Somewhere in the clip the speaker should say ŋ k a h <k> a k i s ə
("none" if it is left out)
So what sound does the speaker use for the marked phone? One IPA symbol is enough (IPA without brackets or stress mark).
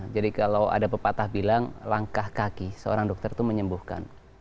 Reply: k